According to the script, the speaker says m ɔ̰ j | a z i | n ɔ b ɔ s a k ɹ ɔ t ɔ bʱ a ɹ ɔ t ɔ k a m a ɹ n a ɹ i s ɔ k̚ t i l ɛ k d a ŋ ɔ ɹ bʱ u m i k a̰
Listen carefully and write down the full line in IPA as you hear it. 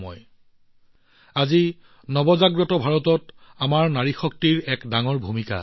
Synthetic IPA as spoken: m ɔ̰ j | a z i | n ɔ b ɔ z a ɡ ɹ ɔ t ɔ bʱ a ɹ ɔ t ɔ t a m a ɹ n a ɹ i x ɔ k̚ t i ɹ ɛ k d a ŋ ɔ ɹ bʱ u m i k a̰